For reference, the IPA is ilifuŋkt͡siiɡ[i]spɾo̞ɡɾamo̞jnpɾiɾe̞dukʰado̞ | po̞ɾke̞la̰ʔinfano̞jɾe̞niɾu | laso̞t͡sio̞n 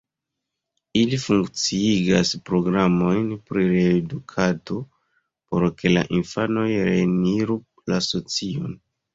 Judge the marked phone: incorrect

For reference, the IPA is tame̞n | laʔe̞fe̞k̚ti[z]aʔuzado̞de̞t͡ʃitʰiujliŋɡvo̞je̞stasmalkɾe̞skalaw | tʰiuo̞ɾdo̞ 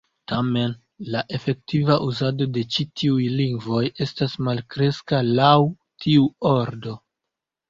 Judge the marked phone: incorrect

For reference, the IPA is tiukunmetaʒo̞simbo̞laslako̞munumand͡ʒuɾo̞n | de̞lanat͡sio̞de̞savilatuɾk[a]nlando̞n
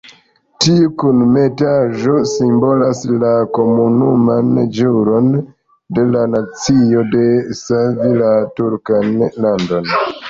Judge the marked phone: correct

